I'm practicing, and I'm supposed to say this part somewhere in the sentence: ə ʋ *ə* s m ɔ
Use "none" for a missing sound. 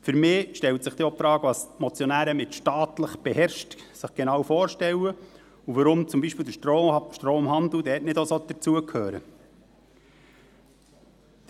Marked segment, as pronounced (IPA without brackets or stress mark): ɑ